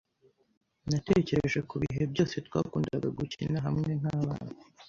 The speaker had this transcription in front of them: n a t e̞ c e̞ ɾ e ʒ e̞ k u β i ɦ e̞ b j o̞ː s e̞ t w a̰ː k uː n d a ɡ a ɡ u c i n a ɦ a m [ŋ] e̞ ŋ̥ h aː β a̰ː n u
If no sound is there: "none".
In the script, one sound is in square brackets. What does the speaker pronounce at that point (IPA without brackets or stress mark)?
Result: ŋ